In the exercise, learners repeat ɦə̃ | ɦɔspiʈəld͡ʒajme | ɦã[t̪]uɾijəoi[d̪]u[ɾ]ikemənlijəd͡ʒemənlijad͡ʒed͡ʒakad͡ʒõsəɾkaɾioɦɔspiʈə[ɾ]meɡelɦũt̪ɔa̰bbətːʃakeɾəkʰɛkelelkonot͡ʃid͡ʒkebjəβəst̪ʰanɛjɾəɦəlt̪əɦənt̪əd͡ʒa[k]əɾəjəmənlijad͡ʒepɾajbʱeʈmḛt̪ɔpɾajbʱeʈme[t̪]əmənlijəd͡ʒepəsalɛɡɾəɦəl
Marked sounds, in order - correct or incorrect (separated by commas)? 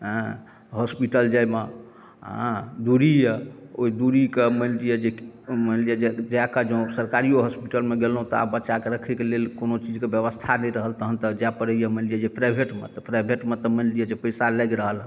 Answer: incorrect, correct, correct, incorrect, incorrect, correct